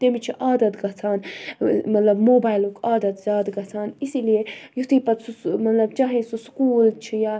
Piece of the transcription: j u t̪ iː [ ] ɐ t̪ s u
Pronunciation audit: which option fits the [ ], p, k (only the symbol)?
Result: p